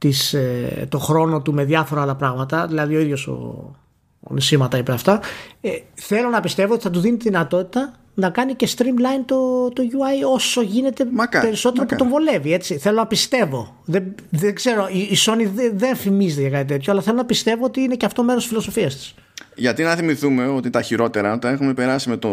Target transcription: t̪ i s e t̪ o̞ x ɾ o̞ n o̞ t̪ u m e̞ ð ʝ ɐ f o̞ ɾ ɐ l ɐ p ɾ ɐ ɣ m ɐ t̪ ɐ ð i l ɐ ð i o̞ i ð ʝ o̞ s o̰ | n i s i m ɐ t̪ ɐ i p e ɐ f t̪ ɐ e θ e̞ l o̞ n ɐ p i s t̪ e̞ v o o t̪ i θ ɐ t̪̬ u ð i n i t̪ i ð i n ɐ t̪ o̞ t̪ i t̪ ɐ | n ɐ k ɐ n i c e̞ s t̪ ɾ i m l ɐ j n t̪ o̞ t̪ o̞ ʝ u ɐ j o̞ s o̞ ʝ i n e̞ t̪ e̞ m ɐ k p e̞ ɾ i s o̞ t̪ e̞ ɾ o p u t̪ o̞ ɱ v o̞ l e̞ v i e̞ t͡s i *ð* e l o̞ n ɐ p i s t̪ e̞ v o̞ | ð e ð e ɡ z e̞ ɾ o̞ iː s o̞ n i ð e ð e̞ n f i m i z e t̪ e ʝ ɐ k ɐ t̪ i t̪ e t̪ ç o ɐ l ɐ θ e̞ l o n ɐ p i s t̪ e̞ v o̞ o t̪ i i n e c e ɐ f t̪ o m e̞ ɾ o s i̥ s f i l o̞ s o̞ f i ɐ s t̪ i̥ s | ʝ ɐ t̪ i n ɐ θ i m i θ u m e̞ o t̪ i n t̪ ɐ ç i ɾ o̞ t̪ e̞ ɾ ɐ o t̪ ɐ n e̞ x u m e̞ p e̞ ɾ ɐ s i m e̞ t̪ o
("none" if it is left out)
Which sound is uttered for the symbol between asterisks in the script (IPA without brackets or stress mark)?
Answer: θ